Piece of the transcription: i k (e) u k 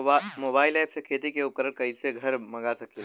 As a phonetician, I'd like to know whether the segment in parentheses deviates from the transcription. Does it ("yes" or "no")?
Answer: no